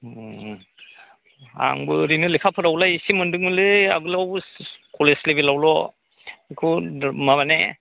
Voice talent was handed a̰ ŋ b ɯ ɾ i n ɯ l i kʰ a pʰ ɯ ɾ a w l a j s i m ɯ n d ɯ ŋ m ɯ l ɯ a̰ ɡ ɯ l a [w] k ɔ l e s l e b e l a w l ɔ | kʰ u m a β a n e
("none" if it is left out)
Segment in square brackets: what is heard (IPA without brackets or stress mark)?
w